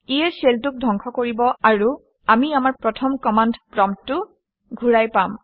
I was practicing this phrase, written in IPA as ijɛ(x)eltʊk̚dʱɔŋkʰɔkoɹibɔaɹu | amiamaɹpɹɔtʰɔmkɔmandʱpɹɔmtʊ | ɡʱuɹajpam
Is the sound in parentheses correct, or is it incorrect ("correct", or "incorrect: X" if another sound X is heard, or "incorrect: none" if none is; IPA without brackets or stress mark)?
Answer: incorrect: s